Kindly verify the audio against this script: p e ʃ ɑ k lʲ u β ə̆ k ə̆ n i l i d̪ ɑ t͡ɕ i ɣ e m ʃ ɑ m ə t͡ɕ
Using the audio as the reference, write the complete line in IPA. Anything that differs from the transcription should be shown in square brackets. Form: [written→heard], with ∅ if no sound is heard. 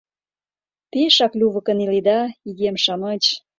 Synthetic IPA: p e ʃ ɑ k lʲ u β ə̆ k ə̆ n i l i d̪ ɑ [t͡ɕ→∅] i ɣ e m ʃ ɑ m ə t͡ɕ